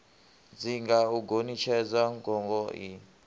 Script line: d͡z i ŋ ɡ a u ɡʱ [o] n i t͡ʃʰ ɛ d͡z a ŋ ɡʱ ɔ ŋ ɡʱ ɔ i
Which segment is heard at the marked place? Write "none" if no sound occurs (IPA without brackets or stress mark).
o